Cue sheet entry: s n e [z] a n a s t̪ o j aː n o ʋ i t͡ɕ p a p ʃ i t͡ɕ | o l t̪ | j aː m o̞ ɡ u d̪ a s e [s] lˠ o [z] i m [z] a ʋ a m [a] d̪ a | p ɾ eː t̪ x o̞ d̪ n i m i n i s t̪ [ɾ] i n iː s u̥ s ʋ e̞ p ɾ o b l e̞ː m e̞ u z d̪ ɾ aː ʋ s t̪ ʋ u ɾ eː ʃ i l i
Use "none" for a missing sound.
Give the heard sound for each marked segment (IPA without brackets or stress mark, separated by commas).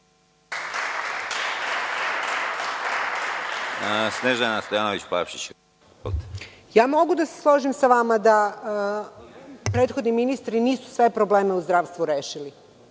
ʒ, s, ʒ, s, a, ɾ